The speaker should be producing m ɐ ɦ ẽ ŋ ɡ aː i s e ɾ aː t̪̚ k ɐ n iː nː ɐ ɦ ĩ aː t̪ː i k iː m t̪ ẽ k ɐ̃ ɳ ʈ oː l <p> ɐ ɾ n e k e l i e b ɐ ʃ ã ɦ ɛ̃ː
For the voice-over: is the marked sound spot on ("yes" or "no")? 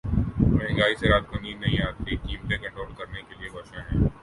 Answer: no